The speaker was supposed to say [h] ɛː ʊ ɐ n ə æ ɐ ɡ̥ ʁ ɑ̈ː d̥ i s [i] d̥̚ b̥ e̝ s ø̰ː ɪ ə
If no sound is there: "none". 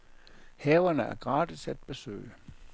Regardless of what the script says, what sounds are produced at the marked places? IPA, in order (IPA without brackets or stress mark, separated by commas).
h, æ